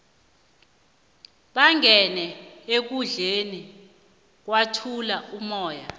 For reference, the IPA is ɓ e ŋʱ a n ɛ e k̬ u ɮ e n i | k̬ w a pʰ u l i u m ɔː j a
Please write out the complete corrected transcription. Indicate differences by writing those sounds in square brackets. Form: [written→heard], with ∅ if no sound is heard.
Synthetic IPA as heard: ɓ [e→a] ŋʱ [a→ɛ] n ɛ e k̬ u ɮ e n i | k̬ w a [pʰ→tʰ] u l [i→a] u m ɔː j a

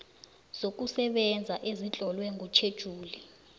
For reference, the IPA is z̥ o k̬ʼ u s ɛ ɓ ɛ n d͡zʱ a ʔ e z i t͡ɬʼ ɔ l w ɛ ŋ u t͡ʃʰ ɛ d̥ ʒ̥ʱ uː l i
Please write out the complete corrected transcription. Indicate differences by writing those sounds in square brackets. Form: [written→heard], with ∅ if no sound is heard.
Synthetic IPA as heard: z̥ o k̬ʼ u s ɛ ɓ ɛ n d͡zʱ a ʔ e z i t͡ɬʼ ɔ l w ɛ ŋ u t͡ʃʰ [ɛ→e] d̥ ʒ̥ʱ uː l i

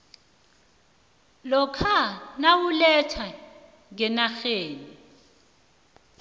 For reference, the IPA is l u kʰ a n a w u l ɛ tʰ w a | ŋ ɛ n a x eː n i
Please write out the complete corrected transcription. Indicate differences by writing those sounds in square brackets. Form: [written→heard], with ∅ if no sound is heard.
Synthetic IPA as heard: l [u→ɔ] kʰ a n a w u l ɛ tʰ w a | ŋ ɛ n a x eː n i

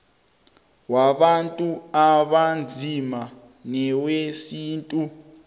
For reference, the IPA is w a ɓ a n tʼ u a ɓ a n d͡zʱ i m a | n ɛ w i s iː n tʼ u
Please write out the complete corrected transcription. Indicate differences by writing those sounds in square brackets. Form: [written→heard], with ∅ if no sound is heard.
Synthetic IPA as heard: w a ɓ a n tʼ u a ɓ a n d͡zʱ i m a | n ɛ w [i→e] s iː n tʼ u

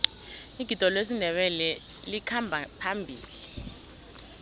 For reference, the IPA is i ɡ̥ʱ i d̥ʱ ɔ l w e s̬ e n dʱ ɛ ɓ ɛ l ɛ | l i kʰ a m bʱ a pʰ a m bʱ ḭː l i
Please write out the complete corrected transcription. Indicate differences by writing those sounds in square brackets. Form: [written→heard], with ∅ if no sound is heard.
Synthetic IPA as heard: i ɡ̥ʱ i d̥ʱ ɔ l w e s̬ [e→i] n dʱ ɛ ɓ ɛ l ɛ | l i kʰ a m bʱ a pʰ a m bʱ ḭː l i

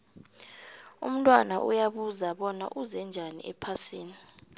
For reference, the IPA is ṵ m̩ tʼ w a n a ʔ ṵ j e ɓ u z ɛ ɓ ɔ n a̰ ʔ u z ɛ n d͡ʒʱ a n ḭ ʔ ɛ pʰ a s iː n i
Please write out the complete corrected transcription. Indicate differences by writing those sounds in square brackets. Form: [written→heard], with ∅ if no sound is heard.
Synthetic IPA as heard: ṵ m̩ tʼ w a n a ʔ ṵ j [e→a] ɓ u z [ɛ→a] ɓ ɔ n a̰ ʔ u z ɛ n d͡ʒʱ a n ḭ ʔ ɛ pʰ a s iː n i

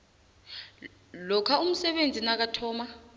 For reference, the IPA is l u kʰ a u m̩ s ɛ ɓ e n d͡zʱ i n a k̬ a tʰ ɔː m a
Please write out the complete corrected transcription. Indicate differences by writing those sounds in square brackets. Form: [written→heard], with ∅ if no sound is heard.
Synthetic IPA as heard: l [u→ɔ] kʰ a u m̩ s ɛ ɓ e n d͡zʱ i n a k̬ a tʰ ɔː m a

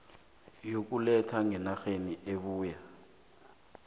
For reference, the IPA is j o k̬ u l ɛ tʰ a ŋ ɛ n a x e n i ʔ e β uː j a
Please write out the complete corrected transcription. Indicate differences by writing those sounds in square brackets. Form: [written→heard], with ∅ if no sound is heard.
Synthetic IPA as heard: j o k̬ u l ɛ tʰ a ŋ ɛ n a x e n i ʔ e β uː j a

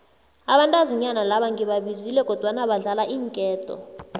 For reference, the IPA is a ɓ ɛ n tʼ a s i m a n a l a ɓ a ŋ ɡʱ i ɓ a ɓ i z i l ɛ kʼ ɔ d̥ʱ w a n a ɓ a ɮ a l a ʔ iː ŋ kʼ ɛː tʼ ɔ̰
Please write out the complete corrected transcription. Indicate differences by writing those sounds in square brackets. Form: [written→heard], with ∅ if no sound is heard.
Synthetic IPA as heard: a ɓ [ɛ→a] n tʼ a [s→z] i [m→ɲ] a n a l a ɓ a ŋ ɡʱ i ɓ a ɓ i z i l ɛ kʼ ɔ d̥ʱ w a n a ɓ a ɮ a l a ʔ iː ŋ kʼ ɛː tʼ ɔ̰

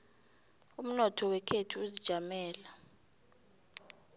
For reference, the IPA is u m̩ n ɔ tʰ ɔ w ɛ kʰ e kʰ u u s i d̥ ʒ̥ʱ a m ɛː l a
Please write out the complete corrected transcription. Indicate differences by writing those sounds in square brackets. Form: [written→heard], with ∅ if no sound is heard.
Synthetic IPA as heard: u m̩ n ɔ tʰ ɔ w ɛ kʰ e [kʰ→tʰ] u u [s→z] i d̥ ʒ̥ʱ a m ɛː l a

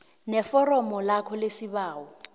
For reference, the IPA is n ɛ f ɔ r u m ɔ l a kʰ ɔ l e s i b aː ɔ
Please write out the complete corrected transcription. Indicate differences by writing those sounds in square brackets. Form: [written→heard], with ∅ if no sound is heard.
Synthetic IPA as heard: n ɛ f ɔ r [u→ɔ] m ɔ l a kʰ ɔ l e s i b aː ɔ

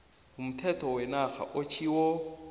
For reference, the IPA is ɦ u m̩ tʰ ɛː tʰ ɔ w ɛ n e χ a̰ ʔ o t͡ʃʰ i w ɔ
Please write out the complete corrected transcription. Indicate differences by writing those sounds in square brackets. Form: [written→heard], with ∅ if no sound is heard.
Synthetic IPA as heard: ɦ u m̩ tʰ [ɛː→ɛ] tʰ ɔ w ɛ n [e→a] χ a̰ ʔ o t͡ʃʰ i w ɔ

